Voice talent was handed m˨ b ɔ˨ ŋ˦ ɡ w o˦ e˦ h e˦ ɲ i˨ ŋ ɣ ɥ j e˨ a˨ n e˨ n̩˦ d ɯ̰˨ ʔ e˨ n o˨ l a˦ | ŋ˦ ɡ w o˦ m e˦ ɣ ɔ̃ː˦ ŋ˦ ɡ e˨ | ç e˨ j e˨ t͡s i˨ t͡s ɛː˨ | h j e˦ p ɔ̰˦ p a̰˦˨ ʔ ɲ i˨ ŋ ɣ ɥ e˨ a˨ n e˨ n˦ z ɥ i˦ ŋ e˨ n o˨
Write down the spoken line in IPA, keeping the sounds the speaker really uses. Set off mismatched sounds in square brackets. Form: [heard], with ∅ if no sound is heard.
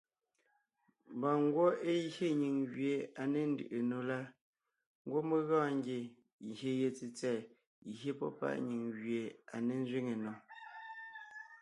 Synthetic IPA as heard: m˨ b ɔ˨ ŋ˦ ɡ w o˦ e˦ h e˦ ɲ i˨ ŋ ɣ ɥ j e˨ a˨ n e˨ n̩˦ d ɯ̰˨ ʔ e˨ n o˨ l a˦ | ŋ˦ ɡ w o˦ m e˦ ɣ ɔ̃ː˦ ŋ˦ ɡ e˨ | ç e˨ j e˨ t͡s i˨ t͡s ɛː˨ | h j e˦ p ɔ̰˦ p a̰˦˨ ʔ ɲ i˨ ŋ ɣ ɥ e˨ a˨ n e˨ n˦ z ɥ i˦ ŋ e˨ n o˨